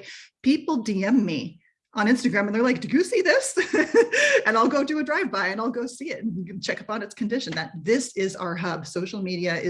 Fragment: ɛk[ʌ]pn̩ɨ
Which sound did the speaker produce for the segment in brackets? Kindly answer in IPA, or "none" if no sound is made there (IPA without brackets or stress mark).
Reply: ʌ